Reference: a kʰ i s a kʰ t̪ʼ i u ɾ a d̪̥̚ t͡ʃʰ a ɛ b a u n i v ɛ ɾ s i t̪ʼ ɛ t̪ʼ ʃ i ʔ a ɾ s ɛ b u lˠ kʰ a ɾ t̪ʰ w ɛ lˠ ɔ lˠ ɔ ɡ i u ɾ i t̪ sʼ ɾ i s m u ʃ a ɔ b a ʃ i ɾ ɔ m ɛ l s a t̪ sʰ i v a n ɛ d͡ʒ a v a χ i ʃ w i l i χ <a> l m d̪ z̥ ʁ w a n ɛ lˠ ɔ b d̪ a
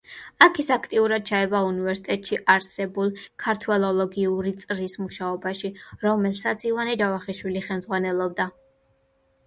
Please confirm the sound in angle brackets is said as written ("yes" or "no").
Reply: no